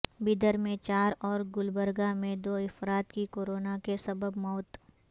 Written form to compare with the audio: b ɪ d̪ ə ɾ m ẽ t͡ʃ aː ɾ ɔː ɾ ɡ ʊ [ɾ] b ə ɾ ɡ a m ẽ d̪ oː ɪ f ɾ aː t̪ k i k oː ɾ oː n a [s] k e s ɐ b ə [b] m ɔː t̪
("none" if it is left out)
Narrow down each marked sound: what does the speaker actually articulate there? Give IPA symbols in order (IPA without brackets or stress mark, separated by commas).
l, none, b